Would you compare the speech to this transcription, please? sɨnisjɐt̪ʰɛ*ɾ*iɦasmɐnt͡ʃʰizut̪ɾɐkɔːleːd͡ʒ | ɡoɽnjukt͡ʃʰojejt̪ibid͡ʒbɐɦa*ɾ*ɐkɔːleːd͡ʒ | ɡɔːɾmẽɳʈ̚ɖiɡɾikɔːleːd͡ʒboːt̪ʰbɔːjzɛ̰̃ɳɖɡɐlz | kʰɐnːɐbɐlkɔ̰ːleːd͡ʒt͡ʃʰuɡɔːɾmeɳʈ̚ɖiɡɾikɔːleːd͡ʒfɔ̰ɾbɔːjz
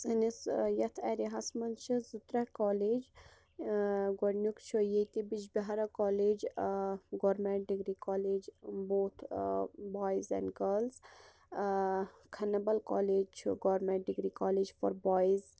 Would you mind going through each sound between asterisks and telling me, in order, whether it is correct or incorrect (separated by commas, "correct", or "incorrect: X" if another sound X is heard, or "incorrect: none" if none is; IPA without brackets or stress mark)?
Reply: correct, correct